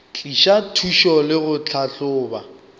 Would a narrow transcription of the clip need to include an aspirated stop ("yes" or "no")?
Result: yes